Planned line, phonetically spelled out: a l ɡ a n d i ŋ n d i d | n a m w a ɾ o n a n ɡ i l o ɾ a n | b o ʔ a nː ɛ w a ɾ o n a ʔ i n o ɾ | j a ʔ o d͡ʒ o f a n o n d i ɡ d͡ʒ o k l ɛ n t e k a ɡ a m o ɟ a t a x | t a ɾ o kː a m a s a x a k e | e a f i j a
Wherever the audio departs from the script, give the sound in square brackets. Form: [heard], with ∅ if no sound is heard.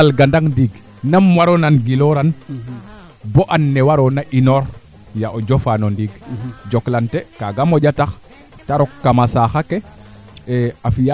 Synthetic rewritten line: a l ɡ a n d [a] ŋ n d i [ɡ] | n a m w a ɾ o n a n ɡ i l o ɾ a n | b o ʔ a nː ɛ w a ɾ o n a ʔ i n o ɾ | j a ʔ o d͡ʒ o f a n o n d i ɡ d͡ʒ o k l [a] n t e k a ɡ a m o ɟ a t a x | t a ɾ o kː a m a s a x a k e | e a f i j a